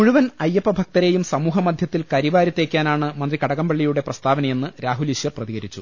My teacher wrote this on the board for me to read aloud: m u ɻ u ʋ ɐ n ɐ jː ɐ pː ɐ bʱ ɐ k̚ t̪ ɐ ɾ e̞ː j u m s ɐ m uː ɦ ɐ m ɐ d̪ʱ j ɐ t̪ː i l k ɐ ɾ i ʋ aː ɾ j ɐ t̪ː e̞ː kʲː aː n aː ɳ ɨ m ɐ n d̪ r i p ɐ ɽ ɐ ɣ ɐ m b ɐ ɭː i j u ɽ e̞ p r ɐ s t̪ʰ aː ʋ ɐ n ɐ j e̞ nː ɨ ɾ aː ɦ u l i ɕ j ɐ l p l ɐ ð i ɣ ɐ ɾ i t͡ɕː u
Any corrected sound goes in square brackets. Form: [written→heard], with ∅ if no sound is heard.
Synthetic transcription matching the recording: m u ɻ u ʋ ɐ n ɐ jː ɐ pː ɐ bʱ ɐ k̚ t̪ ɐ ɾ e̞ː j u m s ɐ m uː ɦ ɐ m ɐ d̪ʱ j ɐ t̪ː i l k ɐ ɾ i ʋ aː ɾ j ɐ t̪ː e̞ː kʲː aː n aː ɳ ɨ m ɐ n d̪ r i [p→k] ɐ ɽ ɐ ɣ ɐ m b ɐ ɭː i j u ɽ e̞ p r ɐ s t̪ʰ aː ʋ ɐ n ɐ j e̞ nː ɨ ɾ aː ɦ u l i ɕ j ɐ [l→r] p [l→r] ɐ ð i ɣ ɐ ɾ i t͡ɕː u